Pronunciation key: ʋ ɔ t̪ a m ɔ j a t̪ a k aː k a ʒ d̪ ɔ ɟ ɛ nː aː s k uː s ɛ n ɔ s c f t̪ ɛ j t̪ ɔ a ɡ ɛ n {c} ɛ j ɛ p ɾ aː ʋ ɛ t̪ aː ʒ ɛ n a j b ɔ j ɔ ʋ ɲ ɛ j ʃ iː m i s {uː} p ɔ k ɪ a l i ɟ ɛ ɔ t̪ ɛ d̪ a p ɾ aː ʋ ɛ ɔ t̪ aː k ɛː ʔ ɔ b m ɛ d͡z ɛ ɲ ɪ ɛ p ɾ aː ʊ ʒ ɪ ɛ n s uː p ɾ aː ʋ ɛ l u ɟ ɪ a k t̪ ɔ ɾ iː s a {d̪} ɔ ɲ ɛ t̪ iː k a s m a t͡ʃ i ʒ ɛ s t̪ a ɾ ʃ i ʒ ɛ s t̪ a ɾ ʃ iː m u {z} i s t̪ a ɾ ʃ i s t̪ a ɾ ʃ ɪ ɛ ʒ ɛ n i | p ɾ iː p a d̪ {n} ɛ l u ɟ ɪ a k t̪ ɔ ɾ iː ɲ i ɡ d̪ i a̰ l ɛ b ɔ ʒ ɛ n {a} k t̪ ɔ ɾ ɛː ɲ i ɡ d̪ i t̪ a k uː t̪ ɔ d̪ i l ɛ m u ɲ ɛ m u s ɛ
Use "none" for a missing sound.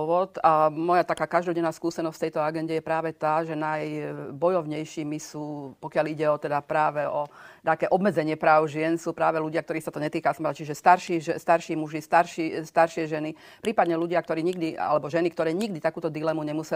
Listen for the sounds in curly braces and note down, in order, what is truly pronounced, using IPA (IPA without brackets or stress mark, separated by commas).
ɟ, uː, t̪, ʒ, ɲ, i